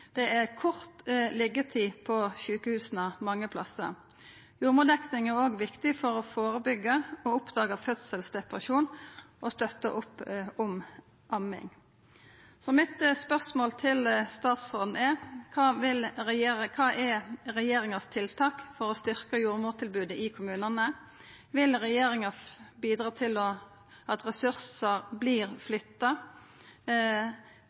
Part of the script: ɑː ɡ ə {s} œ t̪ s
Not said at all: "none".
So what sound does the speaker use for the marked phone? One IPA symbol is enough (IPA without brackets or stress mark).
f